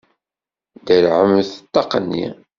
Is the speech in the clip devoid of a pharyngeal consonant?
no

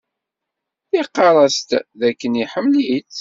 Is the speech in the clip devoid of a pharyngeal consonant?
no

